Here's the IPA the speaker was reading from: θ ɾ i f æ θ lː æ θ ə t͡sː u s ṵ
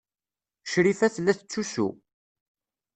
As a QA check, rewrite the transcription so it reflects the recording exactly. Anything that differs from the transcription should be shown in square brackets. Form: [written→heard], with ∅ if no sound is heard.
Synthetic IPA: [θ→ʃ] ɾ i f æ θ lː æ θ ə t͡sː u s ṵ